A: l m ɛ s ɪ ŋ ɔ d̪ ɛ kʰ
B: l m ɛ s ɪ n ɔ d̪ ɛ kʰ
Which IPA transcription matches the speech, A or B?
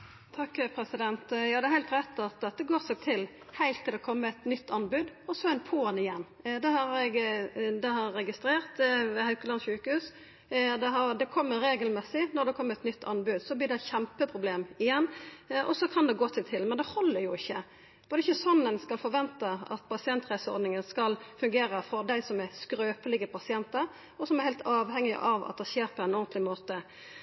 B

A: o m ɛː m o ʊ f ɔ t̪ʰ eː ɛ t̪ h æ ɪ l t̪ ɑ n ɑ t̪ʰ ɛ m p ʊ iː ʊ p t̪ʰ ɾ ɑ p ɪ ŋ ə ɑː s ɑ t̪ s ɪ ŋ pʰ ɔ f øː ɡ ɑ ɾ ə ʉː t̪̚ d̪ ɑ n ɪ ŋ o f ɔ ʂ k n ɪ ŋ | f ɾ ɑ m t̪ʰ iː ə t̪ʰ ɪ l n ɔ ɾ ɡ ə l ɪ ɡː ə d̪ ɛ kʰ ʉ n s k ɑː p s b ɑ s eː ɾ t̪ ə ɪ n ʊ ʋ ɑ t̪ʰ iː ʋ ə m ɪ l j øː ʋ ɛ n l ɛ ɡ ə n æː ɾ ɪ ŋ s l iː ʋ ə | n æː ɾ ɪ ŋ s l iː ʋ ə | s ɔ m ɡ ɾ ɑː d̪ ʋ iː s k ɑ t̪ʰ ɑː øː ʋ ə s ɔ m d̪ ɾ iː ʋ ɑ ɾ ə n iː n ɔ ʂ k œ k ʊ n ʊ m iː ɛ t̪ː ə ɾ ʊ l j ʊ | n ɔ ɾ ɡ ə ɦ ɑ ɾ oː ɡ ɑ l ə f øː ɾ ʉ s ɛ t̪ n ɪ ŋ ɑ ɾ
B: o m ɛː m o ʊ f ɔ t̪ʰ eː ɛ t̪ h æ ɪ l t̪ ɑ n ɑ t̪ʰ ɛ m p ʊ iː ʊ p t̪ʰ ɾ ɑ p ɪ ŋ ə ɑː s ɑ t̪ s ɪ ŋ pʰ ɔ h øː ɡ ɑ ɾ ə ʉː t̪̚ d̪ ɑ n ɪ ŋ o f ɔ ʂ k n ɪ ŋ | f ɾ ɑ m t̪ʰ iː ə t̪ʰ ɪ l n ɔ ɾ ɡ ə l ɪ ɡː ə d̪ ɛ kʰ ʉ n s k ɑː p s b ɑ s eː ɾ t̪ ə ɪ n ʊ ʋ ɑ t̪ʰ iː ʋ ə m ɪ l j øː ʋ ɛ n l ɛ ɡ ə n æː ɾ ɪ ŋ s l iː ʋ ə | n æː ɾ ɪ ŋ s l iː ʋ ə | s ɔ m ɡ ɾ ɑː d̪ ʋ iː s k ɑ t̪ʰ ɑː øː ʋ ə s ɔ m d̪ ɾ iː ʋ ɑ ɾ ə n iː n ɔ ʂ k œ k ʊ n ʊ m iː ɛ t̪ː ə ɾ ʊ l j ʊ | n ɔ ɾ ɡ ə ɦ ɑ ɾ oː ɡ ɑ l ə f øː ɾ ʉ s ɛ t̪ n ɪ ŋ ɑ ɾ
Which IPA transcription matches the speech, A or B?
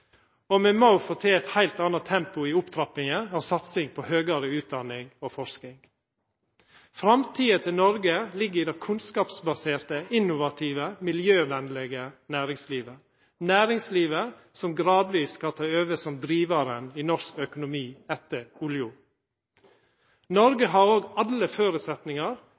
B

